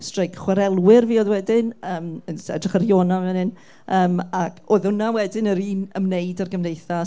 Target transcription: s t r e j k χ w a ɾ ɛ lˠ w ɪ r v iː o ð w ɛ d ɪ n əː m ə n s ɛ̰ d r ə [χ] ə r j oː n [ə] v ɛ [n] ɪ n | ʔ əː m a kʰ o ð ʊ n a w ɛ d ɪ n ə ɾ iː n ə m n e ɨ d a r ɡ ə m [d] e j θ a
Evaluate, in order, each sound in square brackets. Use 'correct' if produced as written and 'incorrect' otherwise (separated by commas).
correct, incorrect, correct, incorrect